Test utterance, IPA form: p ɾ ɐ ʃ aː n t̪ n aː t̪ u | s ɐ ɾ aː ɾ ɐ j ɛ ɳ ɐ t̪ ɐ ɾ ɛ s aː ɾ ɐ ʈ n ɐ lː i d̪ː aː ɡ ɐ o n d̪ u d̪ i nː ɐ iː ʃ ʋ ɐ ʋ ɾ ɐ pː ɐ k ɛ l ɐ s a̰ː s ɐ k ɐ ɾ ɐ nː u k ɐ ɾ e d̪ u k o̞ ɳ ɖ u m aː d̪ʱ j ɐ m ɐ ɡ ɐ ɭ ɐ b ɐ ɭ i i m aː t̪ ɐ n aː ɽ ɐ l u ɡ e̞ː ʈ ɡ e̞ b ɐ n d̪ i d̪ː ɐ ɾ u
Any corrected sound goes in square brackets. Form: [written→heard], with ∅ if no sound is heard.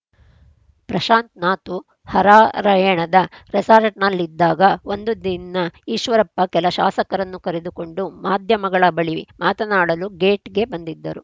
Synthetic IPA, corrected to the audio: p ɾ ɐ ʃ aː n t̪ n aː t̪ u | [s→h] ɐ ɾ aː ɾ ɐ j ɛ ɳ ɐ [t̪→d̪] ɐ ɾ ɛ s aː ɾ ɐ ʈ n ɐ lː i d̪ː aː ɡ ɐ o n d̪ u d̪ i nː ɐ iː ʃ ʋ ɐ [ʋ→∅] ɾ ɐ pː ɐ k ɛ l ɐ [s→ʃ] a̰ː s ɐ k ɐ ɾ ɐ nː u k ɐ ɾ e d̪ u k o̞ ɳ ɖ u m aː d̪ʱ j ɐ m ɐ ɡ ɐ ɭ ɐ b ɐ ɭ i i m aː t̪ ɐ n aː ɽ ɐ l u ɡ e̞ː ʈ ɡ e̞ b ɐ n d̪ i d̪ː ɐ ɾ u